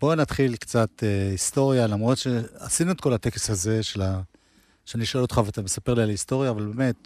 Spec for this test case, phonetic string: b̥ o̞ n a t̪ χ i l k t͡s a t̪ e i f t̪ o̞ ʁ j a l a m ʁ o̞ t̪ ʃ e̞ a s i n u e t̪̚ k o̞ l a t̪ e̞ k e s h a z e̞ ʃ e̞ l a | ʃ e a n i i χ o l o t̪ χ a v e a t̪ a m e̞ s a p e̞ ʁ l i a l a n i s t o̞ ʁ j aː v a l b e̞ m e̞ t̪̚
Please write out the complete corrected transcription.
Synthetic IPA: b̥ o̞ n a t̪ χ i l k t͡s a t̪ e i s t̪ o̞ ʁ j a l a m ʁ o̞ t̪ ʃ e̞ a s i n u e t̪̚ k o̞ l a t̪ e̞ k e s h a z e̞ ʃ e̞ l a | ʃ e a n i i ʃ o l o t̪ χ a v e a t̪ a m e̞ s a p e̞ ʁ l i a l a i s t o̞ ʁ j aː v a l b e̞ m e̞ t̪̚